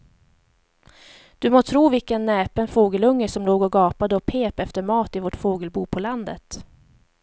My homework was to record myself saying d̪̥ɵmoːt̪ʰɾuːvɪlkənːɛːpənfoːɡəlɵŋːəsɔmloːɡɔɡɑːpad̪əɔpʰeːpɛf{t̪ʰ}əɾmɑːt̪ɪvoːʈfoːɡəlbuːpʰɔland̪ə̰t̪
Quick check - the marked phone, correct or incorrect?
incorrect